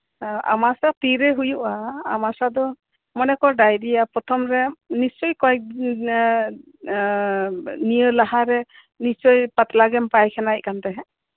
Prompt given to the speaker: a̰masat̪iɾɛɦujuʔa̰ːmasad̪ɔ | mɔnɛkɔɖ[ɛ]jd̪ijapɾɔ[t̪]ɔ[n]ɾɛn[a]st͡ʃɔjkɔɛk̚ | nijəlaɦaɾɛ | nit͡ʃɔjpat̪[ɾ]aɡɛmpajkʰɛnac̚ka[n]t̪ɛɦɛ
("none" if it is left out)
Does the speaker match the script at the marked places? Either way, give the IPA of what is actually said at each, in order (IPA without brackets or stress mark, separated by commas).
a, t̪ʰ, m, i, l, n